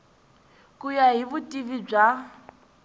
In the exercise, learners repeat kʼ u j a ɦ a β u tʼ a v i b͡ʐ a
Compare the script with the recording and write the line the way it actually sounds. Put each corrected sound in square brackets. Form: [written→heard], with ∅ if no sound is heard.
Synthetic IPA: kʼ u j a ɦ [a→i] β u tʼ [a→i] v i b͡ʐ a

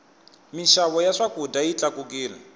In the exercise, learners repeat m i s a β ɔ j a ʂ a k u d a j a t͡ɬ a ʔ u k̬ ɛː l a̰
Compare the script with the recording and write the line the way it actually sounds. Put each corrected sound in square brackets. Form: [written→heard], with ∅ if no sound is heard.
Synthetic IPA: m i [s→ʃ] a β ɔ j a ʂ a k u d a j [a→i] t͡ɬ a [ʔ→k] u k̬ [ɛː→iː] l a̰

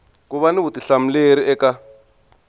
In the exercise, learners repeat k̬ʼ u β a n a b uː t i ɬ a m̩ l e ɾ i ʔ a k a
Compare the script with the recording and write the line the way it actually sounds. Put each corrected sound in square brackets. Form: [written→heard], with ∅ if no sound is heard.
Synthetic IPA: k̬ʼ u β a n [a→i] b [uː→u] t i ɬ a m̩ l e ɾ i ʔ [a→ɛ] k a

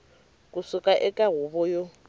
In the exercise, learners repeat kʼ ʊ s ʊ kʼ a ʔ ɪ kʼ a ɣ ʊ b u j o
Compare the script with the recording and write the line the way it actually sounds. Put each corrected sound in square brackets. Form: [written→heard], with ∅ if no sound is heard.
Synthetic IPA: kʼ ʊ s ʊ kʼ a ʔ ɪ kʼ a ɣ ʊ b [u→ɔ] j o

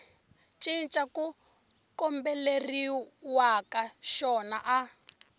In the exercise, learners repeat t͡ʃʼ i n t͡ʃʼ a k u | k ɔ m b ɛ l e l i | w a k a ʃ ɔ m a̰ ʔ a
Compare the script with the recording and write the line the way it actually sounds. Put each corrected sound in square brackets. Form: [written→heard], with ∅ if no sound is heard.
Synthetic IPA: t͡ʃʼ i n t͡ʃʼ a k u | k ɔ m b ɛ l e [l→r] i | w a k a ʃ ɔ [m→n] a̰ ʔ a

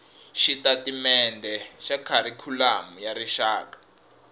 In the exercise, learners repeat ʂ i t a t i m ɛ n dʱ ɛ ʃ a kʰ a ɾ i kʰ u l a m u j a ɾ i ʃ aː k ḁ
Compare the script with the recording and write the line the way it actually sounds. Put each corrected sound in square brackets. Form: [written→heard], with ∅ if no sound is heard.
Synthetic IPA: [ʂ→ʃ] i t a t i m ɛ n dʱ ɛ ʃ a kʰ a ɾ i kʰ u l a m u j a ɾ i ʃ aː k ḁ

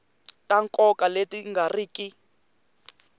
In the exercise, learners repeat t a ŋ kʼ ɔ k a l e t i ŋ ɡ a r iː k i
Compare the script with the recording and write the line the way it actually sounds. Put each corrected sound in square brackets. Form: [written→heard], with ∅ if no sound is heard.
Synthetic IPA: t a ŋ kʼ ɔ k a l e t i ŋ ɡ a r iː k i

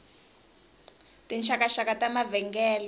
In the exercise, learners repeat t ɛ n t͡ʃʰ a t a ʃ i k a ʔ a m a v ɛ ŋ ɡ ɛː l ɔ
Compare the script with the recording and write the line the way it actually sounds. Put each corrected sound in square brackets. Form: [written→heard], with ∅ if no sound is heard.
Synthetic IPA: t [ɛ→i] n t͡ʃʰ a [t→k] a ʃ [i→a] k a [ʔ→t] a m a v ɛ ŋ ɡ ɛː l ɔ

